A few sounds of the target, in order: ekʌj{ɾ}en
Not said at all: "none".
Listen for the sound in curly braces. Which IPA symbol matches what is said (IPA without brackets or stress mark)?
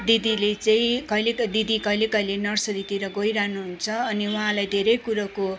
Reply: l